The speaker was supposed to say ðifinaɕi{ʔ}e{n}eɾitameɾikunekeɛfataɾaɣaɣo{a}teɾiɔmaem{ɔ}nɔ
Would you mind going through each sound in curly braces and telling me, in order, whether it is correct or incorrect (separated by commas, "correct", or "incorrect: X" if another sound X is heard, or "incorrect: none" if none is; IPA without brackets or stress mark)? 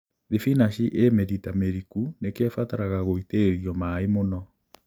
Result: correct, incorrect: m, incorrect: i, incorrect: o